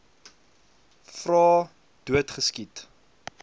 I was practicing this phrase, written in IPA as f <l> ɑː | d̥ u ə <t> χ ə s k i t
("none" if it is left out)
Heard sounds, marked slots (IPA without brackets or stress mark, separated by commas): r, t